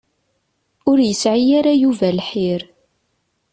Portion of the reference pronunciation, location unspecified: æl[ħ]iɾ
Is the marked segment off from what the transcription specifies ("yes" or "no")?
no